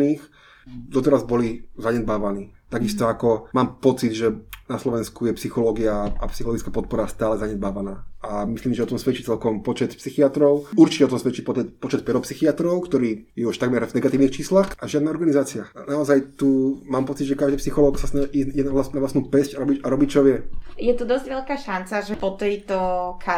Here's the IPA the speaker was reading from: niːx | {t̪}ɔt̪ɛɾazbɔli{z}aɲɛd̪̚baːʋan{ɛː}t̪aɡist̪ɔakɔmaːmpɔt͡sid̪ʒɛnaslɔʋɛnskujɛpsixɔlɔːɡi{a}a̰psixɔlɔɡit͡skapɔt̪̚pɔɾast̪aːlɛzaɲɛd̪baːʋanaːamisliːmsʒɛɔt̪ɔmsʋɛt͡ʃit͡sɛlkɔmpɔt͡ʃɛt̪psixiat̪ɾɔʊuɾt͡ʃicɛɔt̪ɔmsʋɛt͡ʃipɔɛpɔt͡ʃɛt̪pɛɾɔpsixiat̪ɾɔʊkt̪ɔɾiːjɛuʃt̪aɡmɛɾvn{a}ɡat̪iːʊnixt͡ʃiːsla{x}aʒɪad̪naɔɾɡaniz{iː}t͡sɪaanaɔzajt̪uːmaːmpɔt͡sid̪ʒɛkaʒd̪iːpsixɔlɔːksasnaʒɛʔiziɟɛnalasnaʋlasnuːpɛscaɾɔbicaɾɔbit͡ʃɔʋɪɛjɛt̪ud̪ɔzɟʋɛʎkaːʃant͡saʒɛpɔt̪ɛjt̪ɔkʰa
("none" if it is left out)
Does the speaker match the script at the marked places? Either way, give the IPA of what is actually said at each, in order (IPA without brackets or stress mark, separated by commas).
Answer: d̪, z, iː, a, ɛ, x, aː